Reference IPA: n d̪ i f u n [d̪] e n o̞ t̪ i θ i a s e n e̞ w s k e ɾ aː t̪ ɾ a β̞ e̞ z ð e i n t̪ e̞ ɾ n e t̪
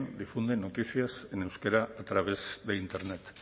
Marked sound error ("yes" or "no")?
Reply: no